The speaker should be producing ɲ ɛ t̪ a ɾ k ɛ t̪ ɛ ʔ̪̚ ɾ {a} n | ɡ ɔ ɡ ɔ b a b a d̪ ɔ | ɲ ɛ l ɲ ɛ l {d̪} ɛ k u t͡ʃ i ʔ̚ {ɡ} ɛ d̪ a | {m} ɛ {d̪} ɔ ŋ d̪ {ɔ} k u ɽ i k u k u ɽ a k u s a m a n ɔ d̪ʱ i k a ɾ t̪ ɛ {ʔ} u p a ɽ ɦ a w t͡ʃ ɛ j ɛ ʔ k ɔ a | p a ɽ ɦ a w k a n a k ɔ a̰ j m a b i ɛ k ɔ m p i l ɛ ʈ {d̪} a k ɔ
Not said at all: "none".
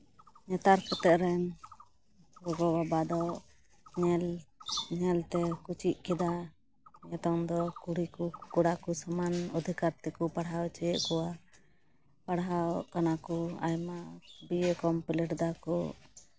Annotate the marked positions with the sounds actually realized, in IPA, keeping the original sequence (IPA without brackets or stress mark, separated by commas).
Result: ɛ, t̪, k, ɲ, t̪, ɔ, k, d̪